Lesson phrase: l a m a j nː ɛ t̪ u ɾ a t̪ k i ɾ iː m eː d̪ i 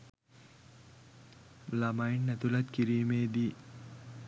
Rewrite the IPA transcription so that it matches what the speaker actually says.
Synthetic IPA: l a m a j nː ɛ t̪ u l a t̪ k i ɾ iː m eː d̪ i